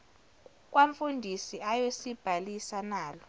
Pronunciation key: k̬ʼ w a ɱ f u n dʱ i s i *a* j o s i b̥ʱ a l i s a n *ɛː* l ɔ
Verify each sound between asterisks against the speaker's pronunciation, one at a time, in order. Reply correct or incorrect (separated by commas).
correct, incorrect